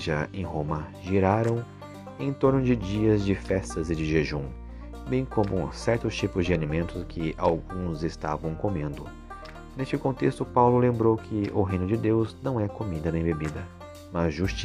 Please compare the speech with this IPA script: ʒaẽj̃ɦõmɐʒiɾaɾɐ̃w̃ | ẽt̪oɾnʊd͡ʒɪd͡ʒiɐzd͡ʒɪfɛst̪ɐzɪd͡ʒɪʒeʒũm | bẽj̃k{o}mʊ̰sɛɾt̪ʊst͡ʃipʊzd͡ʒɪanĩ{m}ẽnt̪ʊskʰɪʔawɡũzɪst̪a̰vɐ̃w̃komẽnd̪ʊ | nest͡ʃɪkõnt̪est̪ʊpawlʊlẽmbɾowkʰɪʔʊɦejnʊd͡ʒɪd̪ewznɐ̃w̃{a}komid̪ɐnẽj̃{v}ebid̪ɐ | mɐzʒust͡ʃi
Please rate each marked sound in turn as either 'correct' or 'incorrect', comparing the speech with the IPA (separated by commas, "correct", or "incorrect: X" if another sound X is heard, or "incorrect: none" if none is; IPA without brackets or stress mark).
incorrect: õ, correct, incorrect: ɛ, incorrect: b